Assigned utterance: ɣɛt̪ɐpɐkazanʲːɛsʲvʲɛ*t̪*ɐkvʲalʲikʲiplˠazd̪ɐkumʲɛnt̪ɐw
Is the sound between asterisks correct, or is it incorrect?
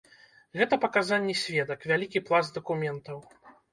incorrect: d̪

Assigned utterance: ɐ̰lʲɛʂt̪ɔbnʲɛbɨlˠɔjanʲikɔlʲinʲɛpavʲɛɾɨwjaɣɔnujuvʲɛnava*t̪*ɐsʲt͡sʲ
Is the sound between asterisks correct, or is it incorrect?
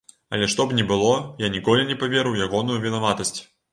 correct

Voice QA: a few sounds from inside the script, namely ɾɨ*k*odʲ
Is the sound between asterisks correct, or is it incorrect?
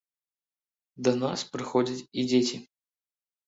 incorrect: x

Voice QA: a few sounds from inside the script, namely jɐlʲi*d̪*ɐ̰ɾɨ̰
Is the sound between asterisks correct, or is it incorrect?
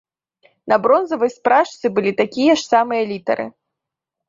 incorrect: t̪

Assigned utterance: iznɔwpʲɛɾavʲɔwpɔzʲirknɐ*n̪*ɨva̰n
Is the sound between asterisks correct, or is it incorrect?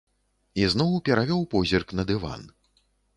incorrect: d̪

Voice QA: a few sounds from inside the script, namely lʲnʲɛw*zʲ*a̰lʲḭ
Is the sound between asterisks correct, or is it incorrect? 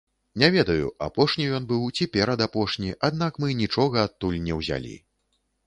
correct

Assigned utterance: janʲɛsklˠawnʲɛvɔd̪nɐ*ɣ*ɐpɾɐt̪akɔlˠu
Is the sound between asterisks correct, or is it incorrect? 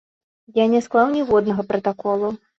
correct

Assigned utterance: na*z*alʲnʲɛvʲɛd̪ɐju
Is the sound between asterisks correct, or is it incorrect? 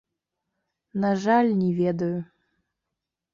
incorrect: ʐ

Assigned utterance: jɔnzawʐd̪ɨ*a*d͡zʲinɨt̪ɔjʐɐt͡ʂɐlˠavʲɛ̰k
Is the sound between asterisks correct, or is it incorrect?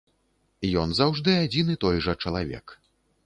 correct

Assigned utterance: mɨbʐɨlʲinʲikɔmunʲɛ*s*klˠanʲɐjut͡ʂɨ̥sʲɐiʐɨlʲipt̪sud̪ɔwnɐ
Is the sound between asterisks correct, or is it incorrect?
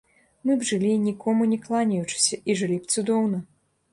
incorrect: none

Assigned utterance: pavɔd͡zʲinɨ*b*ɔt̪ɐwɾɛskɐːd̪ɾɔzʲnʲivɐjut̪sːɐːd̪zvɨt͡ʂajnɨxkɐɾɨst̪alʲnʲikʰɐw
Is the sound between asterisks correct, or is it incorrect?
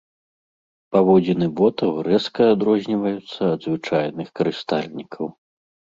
correct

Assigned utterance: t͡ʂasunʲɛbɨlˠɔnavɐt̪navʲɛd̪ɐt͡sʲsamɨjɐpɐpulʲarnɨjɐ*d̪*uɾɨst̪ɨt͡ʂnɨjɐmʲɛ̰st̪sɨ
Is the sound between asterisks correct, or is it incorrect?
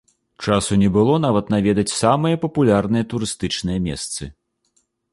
incorrect: t̪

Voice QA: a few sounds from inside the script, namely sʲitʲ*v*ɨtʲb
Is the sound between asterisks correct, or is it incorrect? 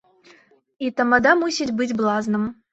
incorrect: b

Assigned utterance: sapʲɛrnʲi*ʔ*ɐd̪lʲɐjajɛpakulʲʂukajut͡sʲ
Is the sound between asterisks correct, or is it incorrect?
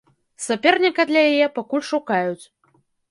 incorrect: k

